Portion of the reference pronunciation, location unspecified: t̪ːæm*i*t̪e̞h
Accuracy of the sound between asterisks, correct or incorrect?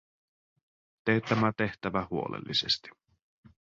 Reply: incorrect: æ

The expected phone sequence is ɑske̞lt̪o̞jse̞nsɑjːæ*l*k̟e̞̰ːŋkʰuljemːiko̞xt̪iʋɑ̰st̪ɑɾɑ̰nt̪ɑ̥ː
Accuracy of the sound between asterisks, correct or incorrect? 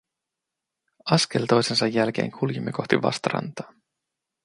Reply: correct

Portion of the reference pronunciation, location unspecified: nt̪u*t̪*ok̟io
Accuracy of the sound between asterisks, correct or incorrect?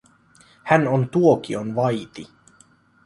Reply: incorrect: none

